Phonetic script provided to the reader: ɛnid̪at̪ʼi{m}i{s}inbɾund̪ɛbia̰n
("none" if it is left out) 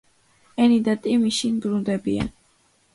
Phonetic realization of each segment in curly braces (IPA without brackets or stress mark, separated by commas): m, ʃ